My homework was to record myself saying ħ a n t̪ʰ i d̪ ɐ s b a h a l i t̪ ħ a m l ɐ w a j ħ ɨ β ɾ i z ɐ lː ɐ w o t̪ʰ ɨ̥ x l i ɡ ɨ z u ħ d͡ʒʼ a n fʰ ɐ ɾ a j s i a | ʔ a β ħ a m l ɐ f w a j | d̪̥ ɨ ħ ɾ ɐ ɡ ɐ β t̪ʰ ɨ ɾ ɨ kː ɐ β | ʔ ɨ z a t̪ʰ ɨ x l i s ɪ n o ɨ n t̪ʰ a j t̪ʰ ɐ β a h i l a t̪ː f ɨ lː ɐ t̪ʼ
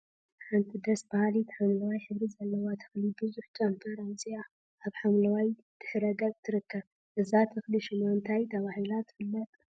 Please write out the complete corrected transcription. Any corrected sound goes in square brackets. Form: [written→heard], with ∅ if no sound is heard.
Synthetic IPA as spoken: ħ a n t̪ʰ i d̪ ɐ s b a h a l i t̪ ħ a m l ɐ w a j ħ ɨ β ɾ i z ɐ lː ɐ w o t̪ʰ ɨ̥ x l i [ɡ→b] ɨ z u ħ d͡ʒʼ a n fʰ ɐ ɾ a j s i a | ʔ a β ħ a m l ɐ [f→∅] w a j | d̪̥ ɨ ħ ɾ ɐ ɡ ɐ β t̪ʰ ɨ ɾ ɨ kː ɐ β | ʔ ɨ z a t̪ʰ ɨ x l i [s→ʃ] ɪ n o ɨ n t̪ʰ a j t̪ʰ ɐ β a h i l a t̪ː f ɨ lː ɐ t̪ʼ